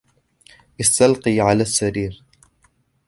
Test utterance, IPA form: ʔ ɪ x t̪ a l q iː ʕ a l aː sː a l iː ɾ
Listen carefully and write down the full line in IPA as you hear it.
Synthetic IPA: ʔ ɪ s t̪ a l q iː ʕ a l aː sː a ɾ iː ɾ